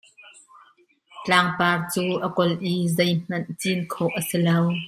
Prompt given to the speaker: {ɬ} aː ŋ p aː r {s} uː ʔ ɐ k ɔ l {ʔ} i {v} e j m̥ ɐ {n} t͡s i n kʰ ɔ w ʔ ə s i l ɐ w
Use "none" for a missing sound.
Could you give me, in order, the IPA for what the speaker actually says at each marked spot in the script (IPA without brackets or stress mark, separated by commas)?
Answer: t͡ɬ, t͡s, ʔ, z, n